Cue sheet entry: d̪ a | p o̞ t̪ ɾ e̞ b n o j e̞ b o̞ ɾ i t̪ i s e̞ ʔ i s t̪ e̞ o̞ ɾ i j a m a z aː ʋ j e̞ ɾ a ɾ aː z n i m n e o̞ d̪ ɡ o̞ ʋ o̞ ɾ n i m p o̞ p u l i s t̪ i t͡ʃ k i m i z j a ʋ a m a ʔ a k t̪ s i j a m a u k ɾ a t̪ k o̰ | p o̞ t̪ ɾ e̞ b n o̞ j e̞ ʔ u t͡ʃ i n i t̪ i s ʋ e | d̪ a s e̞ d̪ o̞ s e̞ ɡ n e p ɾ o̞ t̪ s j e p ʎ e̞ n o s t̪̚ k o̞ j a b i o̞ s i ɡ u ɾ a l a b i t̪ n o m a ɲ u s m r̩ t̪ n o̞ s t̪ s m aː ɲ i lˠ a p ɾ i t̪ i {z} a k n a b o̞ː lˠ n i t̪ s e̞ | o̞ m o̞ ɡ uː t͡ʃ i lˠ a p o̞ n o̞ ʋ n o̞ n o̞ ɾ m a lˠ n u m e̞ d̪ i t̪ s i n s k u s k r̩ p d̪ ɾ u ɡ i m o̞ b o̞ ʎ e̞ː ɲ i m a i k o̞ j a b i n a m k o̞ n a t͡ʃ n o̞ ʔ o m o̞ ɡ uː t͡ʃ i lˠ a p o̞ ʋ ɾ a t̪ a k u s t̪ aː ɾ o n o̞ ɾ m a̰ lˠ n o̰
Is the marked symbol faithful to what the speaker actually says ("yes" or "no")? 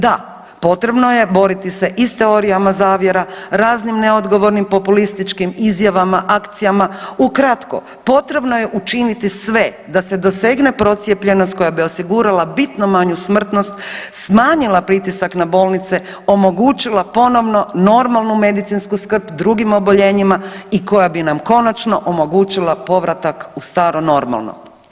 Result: no